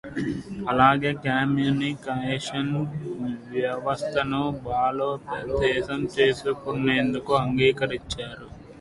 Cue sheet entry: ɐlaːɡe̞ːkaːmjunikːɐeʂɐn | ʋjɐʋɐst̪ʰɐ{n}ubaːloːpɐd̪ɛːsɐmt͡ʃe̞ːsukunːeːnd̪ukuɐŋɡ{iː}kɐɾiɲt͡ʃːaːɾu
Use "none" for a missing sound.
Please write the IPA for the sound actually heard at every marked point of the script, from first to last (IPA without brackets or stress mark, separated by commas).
n, iː